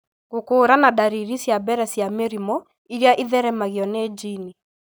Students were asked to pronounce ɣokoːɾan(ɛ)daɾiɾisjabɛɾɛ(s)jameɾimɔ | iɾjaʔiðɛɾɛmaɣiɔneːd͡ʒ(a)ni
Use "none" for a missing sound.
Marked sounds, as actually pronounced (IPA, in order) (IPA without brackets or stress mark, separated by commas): a, s, i